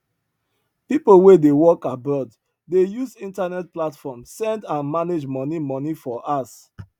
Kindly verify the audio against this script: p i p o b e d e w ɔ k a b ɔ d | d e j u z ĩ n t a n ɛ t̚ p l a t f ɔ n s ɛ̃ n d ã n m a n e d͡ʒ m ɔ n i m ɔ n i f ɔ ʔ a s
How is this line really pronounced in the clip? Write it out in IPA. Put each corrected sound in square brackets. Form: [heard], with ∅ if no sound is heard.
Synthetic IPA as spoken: p i p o [w] e d e w ɔ k a b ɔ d | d e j u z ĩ n t a n ɛ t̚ p l a t f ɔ [m] s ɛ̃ n d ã n m a n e d͡ʒ m ɔ n i m ɔ n i f ɔ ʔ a s